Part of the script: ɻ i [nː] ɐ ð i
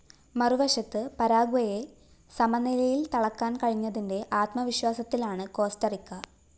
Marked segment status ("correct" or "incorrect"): incorrect